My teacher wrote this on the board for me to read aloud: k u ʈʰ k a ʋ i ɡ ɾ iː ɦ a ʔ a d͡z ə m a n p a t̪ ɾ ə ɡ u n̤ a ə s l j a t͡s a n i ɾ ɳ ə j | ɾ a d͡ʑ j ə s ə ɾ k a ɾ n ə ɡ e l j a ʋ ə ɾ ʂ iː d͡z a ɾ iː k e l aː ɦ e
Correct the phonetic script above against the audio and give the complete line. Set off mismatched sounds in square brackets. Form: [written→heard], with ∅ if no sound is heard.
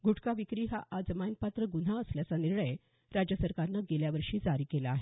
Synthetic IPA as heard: [k→ɡ] u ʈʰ k a ʋ i [ɡ→k] ɾ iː ɦ a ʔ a d͡z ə m a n p a t̪ ɾ ə ɡ u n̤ a ə s l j a t͡s a n i ɾ ɳ ə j | ɾ a d͡ʑ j ə s ə ɾ k a ɾ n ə ɡ e l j a ʋ ə ɾ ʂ iː d͡z a ɾ iː k e l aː ɦ e